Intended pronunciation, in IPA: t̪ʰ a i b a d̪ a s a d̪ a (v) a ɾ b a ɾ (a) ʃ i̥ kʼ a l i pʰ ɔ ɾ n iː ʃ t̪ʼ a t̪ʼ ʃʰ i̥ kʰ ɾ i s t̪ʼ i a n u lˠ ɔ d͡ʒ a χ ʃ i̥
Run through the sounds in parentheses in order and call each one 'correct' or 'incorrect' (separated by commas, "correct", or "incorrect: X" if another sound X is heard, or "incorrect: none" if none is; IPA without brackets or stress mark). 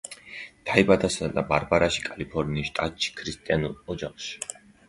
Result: incorrect: b, correct